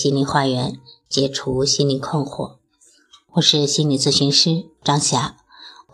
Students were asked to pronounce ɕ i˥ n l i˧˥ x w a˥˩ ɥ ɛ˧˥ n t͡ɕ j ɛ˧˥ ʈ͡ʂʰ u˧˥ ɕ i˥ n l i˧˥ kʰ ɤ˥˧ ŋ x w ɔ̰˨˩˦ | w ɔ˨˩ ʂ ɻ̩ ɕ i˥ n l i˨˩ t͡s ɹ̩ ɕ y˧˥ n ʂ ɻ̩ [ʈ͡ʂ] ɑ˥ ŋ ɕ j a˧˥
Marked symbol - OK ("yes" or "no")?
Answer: yes